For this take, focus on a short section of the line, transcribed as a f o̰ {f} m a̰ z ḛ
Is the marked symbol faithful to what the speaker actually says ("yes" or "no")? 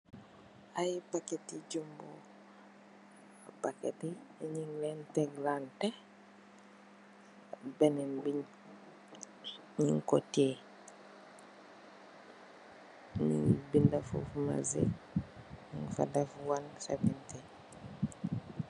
yes